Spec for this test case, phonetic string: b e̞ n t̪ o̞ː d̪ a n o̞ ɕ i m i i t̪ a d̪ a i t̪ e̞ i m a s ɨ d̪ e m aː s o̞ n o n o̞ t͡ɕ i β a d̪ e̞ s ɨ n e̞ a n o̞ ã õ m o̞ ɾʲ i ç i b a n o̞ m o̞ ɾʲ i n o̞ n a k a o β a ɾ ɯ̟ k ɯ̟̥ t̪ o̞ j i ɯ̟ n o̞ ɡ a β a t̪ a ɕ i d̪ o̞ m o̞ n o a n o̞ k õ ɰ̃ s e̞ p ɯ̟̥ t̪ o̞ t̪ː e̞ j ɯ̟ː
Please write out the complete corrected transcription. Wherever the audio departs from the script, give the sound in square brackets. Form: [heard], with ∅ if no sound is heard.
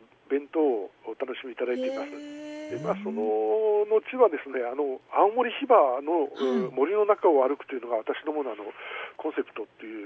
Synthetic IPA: b [ẽ̞] n t̪ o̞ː [t̪] a n o̞ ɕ i m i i t̪ a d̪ a i t̪ e̞ i m a s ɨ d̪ e m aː s o̞ n o n o̞ t͡ɕ i β a d̪ e̞ s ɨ n e̞ a n o̞ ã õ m o̞ ɾʲ i ç i b a n o̞ m o̞ ɾʲ i n o̞ n a k a o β a ɾ ɯ̟ k ɯ̟̥ t̪ o̞ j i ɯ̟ n o̞ ɡ a β a t̪ a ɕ i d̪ o̞ m o̞ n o a n o̞ k õ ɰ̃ s e̞ p ɯ̟̥ t̪ o̞ t̪ː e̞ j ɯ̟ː